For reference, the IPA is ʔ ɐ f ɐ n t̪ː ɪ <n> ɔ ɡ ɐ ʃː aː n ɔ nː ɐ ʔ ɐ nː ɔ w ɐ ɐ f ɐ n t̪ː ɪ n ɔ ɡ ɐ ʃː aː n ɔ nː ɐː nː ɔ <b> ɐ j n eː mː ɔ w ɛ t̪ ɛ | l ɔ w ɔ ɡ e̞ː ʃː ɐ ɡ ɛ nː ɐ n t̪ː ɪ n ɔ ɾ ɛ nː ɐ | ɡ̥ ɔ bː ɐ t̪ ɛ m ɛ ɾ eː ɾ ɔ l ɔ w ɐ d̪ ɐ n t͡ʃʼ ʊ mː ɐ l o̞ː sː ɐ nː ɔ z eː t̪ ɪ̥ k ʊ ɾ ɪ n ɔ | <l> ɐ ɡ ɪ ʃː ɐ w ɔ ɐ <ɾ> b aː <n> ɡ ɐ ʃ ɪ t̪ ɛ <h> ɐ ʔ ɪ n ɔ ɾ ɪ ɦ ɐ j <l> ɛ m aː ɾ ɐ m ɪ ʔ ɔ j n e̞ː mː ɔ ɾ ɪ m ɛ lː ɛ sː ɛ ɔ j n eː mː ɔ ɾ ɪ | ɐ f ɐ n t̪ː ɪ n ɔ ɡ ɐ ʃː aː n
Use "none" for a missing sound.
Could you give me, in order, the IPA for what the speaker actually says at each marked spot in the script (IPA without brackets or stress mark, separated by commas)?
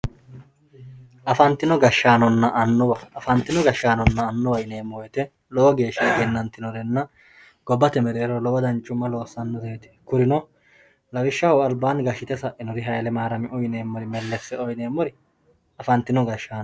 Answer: n, w, l, l, n, s, l